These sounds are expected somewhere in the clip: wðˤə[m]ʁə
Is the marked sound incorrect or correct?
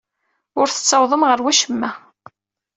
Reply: correct